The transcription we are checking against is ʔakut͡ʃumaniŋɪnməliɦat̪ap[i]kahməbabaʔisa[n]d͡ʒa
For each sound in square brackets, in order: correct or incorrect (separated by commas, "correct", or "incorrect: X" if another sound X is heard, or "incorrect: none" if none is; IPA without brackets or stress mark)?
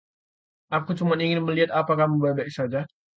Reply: incorrect: a, incorrect: none